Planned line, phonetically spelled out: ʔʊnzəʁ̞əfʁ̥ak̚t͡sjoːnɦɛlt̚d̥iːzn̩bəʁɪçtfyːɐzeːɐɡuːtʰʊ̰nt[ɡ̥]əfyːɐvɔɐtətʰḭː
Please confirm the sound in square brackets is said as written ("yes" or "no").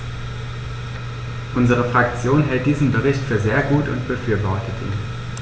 no